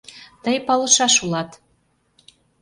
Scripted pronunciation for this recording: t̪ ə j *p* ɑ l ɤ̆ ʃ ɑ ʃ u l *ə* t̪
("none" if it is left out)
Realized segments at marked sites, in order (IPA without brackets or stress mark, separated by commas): p, ɑ